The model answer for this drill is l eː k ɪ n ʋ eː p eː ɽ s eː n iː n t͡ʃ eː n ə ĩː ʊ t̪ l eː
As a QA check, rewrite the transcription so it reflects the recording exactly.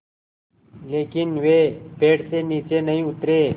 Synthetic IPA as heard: l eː k ɪ n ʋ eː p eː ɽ s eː n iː t͡ʃ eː n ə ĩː ʊ t̪ ɾ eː